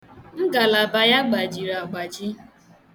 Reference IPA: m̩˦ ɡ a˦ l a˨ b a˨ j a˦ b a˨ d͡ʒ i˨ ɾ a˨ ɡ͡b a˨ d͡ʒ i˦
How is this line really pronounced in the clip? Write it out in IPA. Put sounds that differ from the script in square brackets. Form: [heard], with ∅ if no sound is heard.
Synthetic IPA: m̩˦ ɡ [a˨] l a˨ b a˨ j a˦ [ɡ͡b] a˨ d͡ʒ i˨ ɾ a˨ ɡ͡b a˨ d͡ʒ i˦